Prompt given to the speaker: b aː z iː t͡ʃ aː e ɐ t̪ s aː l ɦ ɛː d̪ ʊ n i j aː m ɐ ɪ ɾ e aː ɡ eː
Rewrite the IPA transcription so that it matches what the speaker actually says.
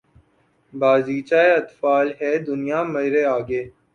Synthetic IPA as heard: b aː z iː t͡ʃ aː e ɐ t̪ f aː l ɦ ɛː d̪ ʊ n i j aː m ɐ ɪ ɾ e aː ɡ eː